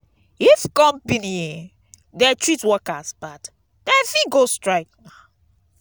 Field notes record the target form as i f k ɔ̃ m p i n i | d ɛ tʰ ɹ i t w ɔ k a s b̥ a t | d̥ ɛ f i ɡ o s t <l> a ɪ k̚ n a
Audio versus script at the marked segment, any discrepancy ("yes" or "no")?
yes